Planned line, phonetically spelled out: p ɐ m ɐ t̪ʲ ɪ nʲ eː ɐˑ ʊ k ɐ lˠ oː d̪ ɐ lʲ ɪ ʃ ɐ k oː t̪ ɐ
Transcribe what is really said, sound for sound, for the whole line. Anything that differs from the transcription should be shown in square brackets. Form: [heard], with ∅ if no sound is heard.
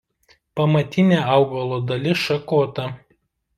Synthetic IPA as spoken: p ɐ m ɐ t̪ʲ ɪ nʲ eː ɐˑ ʊ [ɡ] ɐ lˠ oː d̪ ɐ lʲ ɪ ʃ ɐ k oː t̪ ɐ